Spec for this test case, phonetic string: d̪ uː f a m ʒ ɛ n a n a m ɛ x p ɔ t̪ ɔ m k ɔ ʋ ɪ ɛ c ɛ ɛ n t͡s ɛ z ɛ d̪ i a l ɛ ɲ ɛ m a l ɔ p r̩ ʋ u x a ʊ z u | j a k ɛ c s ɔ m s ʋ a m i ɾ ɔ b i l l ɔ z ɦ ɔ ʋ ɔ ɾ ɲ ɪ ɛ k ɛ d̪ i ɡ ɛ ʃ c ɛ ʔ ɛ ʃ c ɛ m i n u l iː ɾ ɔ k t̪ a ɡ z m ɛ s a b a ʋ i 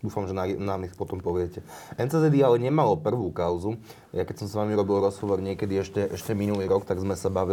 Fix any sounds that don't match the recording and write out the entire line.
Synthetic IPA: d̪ uː f a m ʒ ɛ n a n a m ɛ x p ɔ t̪ ɔ m p ɔ ʋ ɪ ɛ c ɛ ɛ n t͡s ɛ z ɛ d̪ i a l ɛ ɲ ɛ m a l ɔ p r̩ ʋ u k a ʊ z u | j a k ɛ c s ɔ m s ʋ a m i ɾ ɔ b i l ɾ ɔ z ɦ ɔ ʋ ɔ ɾ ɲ ɪ ɛ k ɛ d̪ i ɛ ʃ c ɛ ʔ ɛ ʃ c ɛ m i n u l iː ɾ ɔ k t̪ a ɡ z m ɛ s a b a ʋ i